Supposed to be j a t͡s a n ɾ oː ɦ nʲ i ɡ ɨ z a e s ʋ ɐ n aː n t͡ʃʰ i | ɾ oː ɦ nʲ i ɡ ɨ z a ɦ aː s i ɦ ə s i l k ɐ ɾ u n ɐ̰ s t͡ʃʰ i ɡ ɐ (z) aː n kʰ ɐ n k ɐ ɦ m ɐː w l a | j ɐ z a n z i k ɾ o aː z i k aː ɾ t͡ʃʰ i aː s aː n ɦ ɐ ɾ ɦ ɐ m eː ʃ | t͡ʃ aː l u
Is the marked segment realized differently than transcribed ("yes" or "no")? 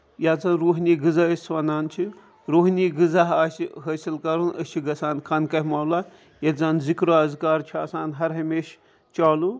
yes